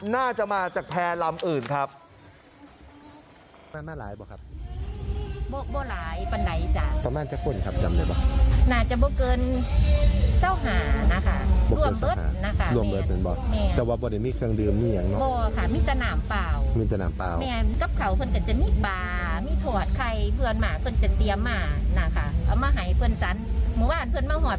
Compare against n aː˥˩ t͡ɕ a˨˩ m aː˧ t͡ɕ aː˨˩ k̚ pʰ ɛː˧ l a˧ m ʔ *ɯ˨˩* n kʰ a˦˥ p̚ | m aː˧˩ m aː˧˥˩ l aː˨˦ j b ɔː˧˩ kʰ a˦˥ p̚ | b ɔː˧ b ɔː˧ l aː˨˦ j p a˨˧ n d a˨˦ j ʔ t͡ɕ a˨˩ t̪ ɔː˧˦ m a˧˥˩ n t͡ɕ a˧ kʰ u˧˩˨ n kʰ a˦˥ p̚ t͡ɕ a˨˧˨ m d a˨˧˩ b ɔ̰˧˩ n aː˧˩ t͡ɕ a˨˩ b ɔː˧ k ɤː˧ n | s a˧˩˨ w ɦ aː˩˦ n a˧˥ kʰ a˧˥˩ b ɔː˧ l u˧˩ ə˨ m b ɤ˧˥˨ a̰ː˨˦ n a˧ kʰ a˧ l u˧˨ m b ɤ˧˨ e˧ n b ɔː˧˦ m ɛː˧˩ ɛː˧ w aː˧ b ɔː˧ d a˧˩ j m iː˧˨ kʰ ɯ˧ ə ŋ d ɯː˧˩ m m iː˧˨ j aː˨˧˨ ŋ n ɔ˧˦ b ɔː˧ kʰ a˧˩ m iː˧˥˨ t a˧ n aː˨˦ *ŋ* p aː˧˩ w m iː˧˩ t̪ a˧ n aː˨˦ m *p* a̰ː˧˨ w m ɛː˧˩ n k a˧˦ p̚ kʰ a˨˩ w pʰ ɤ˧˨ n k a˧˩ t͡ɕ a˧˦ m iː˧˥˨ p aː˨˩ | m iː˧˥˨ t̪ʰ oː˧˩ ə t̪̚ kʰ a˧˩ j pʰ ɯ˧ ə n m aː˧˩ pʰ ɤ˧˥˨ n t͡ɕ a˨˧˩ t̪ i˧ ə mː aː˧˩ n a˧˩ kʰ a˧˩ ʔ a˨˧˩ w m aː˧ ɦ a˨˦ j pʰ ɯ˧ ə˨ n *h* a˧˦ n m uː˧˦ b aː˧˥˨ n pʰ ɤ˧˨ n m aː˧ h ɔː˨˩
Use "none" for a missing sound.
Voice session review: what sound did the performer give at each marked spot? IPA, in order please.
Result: ɯː˨˩, m, p, s

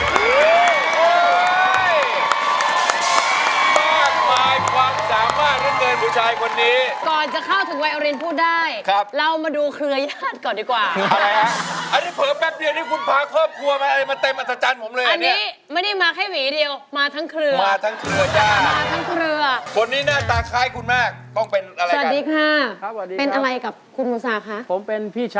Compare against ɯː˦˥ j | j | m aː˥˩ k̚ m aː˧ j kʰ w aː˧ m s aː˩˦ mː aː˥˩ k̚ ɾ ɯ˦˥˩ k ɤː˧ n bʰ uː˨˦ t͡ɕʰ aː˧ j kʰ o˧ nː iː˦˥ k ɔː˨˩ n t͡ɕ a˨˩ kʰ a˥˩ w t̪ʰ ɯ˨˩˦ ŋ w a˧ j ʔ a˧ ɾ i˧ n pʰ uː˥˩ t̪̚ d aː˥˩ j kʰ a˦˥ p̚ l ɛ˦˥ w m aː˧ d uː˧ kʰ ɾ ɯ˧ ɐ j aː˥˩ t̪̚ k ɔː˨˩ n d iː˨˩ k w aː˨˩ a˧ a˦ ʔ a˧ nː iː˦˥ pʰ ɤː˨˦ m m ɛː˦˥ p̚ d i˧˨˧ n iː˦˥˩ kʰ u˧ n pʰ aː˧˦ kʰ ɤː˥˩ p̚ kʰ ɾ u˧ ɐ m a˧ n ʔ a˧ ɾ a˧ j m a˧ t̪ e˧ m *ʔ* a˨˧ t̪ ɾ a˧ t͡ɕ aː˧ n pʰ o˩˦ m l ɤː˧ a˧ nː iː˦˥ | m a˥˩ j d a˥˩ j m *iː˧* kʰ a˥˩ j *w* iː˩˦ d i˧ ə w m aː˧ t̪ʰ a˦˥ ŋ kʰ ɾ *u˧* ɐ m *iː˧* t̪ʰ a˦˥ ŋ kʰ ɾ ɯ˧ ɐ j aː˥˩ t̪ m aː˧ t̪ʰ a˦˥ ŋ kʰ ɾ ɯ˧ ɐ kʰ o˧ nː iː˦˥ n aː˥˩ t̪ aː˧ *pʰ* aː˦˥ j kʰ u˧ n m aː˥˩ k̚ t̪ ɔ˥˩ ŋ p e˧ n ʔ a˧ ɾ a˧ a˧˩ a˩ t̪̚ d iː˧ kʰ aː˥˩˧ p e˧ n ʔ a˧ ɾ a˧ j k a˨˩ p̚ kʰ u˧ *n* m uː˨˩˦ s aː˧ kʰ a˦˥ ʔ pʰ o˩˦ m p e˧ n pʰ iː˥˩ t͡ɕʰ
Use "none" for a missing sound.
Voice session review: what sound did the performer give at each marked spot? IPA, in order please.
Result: ʔ, aː˧, w, ɯ˧, aː˧, kʰ, n

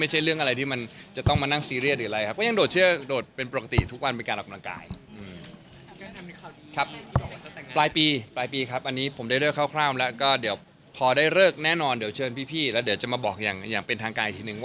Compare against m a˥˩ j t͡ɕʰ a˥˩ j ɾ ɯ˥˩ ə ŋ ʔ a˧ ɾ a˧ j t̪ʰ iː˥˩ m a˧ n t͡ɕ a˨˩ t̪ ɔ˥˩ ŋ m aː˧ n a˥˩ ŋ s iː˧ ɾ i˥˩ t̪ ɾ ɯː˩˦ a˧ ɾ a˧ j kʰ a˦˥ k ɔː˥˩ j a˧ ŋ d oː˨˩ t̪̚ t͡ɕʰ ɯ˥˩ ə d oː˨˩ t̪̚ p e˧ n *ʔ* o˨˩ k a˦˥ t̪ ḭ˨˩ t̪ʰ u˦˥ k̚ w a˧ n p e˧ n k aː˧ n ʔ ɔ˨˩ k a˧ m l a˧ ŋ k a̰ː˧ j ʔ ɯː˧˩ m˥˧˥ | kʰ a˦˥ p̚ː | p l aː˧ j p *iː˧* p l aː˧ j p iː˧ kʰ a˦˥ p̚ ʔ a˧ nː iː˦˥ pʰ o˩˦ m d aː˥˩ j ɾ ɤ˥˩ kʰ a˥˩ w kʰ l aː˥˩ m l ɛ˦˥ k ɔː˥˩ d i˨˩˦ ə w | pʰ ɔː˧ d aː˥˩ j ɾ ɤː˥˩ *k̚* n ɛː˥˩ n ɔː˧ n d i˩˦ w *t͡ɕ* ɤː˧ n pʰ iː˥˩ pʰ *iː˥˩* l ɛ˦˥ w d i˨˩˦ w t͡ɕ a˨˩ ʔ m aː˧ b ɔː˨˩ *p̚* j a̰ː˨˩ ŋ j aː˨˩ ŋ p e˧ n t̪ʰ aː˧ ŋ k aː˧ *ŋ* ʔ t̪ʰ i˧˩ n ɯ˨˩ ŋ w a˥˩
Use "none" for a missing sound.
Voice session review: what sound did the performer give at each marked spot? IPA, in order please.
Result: p, iː˧, k̚, t͡ɕʰ, iː˥˩, k̚, n

